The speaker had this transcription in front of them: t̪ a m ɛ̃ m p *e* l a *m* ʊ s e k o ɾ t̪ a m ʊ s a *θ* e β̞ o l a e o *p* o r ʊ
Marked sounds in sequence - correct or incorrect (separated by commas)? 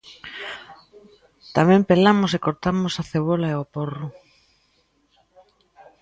correct, correct, correct, correct